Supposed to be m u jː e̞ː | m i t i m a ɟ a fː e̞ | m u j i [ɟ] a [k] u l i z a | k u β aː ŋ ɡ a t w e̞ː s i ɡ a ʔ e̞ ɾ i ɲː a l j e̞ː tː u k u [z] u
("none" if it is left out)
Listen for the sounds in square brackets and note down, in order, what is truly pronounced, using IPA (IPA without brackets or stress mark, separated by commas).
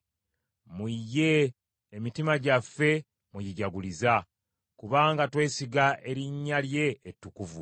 ɟ, ɡ, v